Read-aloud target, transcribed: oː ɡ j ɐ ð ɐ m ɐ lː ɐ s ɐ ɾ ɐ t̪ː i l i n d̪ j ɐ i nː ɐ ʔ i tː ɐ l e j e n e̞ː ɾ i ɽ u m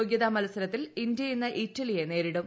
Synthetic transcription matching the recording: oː ɡ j ɐ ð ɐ m ɐ l ɐ s ɐ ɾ ɐ t̪ː i l i n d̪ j ɐ i nː ɐ ʔ i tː ɐ l i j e n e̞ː ɾ i ɽ u m